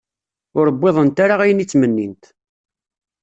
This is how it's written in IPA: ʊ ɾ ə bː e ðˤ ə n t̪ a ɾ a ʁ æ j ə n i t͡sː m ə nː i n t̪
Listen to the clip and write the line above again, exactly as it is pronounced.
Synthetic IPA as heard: ʊ ɾ ə bː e ðˤ ə n t̪ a ɾ a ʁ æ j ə n i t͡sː m ə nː i n t̪